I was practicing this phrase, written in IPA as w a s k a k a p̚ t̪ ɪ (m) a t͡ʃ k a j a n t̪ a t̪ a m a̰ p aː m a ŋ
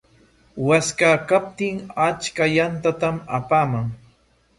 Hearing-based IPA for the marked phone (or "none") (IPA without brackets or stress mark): ŋ